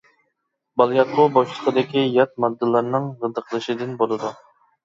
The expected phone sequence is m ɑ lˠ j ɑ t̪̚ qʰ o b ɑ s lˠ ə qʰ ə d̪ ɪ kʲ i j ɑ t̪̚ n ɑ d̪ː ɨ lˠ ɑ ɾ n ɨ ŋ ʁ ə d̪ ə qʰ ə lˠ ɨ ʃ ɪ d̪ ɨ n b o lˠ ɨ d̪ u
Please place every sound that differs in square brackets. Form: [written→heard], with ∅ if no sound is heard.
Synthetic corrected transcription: [m→b] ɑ lˠ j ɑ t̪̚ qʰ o b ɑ [s→ʃ] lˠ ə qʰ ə d̪ ɪ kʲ i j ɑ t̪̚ [n→m] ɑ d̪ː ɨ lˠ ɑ ɾ n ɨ ŋ ʁ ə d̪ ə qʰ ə lˠ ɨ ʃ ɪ d̪ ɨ n b o lˠ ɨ d̪ u